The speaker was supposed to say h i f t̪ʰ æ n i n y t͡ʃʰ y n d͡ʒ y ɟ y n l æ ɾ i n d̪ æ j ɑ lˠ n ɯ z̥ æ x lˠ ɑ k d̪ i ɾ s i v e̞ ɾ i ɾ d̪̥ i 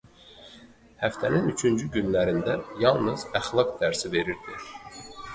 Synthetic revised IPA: h æ f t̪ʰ æ n i n y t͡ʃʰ y n d͡ʒ y ɟ y n l æ ɾ i n d̪ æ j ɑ lˠ n ɯ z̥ æ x lˠ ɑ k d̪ æ ɾ s i v e̞ ɾ i ɾ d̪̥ i